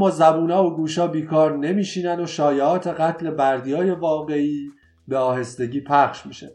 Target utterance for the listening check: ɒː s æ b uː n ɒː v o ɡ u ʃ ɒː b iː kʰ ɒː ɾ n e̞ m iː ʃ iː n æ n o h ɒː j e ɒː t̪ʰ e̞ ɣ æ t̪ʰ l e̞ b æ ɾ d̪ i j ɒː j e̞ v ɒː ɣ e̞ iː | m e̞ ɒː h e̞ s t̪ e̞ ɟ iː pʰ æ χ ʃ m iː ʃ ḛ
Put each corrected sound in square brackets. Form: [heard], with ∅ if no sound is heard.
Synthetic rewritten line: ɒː [z] æ b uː n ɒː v o ɡ [uː] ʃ ɒː b iː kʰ ɒː ɾ n e̞ m iː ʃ iː n æ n o [ʃ] ɒː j e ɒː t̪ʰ e̞ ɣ æ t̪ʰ l e̞ b æ ɾ d̪ i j ɒː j e̞ v ɒː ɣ e̞ iː | [b] e̞ ɒː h e̞ s t̪ e̞ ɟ iː pʰ æ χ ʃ m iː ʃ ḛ